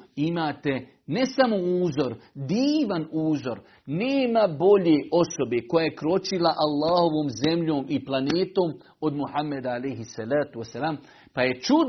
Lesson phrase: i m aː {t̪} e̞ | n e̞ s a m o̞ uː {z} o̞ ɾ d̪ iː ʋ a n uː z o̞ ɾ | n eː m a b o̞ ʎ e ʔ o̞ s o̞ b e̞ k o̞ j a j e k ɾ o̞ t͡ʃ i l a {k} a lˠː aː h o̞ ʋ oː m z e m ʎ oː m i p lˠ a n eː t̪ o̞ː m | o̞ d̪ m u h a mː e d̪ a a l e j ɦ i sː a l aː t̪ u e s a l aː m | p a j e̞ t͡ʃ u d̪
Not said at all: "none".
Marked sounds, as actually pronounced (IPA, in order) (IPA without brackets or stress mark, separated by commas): t̪, z, ʔ